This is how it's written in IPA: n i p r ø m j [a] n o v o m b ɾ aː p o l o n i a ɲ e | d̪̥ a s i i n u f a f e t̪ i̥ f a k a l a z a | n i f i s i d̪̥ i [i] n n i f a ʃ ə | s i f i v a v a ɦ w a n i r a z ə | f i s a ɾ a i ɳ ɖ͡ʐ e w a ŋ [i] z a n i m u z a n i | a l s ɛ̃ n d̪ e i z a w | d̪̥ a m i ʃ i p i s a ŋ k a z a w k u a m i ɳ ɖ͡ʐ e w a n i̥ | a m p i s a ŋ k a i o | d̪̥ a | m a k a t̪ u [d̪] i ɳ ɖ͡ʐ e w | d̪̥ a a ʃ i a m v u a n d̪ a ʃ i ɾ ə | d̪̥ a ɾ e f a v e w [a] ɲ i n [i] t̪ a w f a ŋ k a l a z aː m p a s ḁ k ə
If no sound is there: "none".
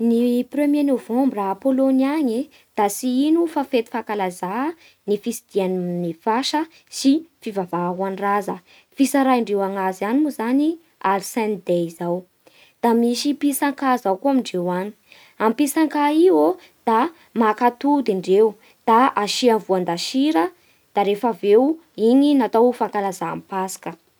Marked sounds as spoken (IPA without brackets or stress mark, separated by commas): e, a, a, d̪, i, a